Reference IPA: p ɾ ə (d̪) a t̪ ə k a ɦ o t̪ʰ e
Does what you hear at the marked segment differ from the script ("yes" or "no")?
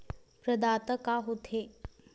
no